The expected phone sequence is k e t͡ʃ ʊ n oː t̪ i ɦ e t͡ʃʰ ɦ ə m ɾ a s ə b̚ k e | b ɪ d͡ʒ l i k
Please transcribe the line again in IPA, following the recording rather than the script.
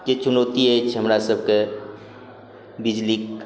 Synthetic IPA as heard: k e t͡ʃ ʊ n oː t̪ i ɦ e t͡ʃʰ ɦ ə m ɾ a s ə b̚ k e | b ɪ d͡ʒ l i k